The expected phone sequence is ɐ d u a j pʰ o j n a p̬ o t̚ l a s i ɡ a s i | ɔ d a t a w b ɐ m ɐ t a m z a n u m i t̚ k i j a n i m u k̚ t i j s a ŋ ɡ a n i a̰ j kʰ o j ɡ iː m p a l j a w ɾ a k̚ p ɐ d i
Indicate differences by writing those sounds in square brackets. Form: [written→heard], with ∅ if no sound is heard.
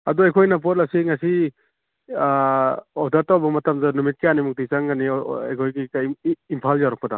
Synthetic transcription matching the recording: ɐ d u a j [pʰ→kʰ] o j n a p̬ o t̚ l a s i [ɡ→ŋ] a s i | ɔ d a t a w b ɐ m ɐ t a m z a n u m i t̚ k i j a n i m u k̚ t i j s a ŋ ɡ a n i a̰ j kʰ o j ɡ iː m [p→pʰ] a l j a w ɾ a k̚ p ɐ d [i→a]